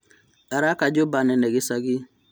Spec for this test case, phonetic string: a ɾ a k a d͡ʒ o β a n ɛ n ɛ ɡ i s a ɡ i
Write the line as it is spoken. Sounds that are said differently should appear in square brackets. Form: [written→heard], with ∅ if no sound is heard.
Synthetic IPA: a ɾ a k a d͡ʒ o [β→b] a n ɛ n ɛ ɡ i s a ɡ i